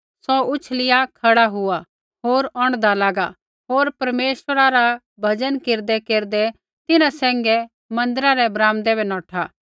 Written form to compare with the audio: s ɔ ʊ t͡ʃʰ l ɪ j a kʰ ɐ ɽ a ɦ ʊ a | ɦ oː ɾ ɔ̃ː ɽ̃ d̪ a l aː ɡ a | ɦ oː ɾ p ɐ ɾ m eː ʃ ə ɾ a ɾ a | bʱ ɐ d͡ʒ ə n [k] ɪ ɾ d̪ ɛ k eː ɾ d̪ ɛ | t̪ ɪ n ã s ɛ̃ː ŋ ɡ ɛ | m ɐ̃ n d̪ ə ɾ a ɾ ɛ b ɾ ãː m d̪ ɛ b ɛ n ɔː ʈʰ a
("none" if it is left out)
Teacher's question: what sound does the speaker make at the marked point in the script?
k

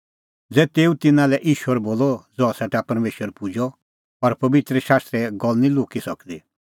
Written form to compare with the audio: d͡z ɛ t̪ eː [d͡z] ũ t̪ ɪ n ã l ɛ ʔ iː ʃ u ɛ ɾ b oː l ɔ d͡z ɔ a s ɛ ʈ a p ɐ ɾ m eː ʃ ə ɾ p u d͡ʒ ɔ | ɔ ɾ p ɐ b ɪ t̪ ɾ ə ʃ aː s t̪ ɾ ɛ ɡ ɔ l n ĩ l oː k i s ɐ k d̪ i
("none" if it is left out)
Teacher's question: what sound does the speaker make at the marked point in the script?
none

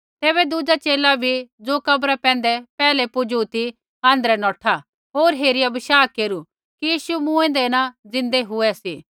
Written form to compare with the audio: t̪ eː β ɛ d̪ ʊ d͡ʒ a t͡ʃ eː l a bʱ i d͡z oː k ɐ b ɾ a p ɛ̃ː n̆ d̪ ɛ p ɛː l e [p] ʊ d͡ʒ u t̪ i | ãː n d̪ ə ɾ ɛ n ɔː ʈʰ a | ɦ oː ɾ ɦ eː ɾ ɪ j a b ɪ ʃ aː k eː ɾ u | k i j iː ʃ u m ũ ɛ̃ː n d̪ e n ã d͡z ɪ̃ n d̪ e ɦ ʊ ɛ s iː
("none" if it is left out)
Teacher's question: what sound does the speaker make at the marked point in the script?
p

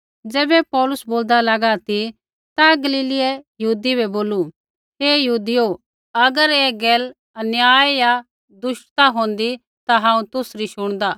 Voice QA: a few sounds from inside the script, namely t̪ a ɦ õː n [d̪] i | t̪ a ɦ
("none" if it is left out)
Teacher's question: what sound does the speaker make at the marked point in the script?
d̪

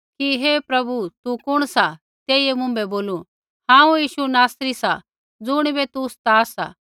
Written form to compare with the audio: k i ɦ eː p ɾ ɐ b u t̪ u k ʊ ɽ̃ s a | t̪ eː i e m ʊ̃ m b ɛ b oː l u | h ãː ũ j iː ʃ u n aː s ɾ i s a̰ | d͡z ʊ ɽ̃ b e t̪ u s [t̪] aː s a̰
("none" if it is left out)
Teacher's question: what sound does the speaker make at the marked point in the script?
t̪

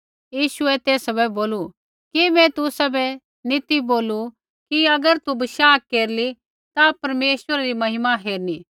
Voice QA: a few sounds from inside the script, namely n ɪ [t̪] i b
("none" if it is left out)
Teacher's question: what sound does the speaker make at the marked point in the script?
t̪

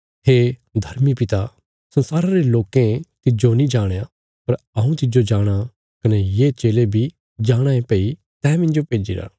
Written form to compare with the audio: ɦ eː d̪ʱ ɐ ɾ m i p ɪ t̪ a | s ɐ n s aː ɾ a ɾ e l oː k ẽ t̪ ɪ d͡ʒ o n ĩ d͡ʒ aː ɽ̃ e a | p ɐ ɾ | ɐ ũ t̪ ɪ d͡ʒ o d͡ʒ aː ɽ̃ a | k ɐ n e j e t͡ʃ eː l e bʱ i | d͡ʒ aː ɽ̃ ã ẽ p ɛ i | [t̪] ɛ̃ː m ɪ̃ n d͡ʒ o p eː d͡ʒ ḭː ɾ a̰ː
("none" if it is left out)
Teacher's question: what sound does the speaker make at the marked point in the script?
t̪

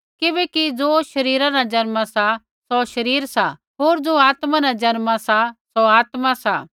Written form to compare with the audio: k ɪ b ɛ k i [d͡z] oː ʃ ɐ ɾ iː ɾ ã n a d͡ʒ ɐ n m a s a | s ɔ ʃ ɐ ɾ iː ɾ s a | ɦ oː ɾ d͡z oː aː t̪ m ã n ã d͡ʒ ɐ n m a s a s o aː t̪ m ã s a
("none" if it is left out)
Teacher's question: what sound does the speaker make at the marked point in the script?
d͡z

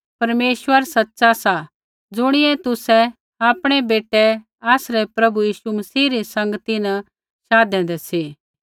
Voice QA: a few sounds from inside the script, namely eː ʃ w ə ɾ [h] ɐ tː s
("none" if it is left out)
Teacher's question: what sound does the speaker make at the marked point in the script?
s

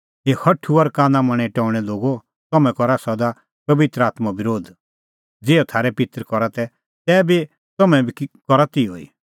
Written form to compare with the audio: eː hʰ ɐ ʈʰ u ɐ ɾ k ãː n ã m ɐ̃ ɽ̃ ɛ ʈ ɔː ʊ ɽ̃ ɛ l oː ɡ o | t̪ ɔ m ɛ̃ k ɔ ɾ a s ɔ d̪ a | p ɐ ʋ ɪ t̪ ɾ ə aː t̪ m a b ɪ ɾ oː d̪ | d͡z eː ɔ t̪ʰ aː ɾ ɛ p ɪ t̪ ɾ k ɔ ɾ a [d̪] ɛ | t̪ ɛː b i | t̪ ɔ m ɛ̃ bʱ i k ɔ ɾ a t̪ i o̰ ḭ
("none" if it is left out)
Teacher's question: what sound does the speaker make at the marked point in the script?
t̪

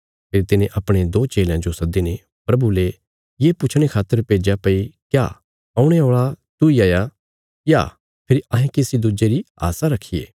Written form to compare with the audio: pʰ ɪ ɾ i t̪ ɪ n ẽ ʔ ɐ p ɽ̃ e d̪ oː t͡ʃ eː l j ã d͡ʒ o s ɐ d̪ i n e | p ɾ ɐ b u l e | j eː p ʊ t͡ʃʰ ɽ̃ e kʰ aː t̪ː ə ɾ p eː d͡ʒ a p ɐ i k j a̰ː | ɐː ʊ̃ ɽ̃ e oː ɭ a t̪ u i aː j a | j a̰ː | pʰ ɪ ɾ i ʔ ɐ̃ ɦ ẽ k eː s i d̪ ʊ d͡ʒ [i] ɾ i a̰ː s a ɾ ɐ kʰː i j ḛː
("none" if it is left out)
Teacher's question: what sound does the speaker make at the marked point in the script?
e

